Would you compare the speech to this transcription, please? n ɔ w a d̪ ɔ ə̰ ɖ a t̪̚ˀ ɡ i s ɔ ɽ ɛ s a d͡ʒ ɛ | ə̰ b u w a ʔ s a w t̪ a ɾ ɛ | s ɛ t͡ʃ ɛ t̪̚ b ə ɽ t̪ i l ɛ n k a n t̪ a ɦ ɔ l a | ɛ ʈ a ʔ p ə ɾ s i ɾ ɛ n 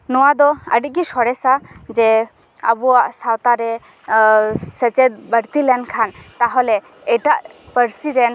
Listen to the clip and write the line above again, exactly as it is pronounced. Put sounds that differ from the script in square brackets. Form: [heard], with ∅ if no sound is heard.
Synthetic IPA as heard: n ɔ w a d̪ ɔ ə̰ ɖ [i] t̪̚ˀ ɡ i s ɔ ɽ ɛ s a d͡ʒ ɛ | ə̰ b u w a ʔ s a w t̪ a ɾ ɛ | s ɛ t͡ʃ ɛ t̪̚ b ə [ɾ] t̪ i l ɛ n [kʰ] a n t̪ a ɦ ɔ l [ɛ] | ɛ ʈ a ʔ p ə ɾ s i ɾ ɛ n